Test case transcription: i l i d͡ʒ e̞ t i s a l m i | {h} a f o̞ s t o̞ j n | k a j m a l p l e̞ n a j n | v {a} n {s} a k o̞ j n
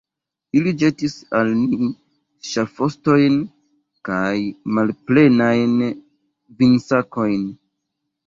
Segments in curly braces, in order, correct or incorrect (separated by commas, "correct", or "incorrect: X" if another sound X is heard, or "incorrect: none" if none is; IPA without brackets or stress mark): incorrect: ʃ, incorrect: i, correct